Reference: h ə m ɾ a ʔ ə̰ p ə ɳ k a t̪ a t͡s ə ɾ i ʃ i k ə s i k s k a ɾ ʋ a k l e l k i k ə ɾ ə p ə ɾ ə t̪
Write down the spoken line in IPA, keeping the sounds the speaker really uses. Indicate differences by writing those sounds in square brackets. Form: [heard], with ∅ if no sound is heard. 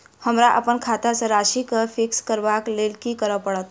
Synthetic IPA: h ə m ɾ a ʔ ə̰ p ə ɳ [kʰ] a t̪ a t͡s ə ɾ [a] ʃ i k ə [f] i k s k [ə] ɾ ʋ a k l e l k i k ə ɾ ə p ə [ɽ] ə t̪